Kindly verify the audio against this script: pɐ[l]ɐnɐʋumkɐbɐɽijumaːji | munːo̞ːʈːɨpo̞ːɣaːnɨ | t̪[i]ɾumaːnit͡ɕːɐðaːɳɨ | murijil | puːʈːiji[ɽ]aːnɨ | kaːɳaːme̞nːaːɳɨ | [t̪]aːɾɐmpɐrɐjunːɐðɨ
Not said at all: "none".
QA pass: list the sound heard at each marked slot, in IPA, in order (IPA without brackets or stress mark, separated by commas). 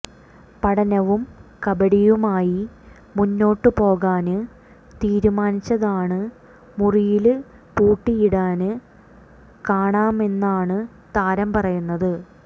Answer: ɽ, iː, ɽ, t̪